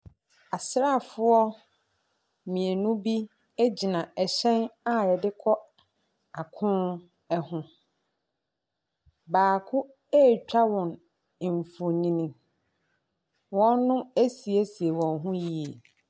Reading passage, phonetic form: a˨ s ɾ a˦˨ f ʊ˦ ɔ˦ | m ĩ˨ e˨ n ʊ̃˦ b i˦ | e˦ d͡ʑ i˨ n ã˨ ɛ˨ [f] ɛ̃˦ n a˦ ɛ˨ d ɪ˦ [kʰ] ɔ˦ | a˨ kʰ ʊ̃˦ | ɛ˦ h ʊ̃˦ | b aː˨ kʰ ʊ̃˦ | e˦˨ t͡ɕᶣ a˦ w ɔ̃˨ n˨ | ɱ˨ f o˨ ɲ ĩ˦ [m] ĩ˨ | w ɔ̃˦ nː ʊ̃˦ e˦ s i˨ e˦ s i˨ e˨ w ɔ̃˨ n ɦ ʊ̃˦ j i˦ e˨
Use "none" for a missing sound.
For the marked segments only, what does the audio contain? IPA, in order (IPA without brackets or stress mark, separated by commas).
ɕ, kʰ, n